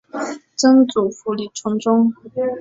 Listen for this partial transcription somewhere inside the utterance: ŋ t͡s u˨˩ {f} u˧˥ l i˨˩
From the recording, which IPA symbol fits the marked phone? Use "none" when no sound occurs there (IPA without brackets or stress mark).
f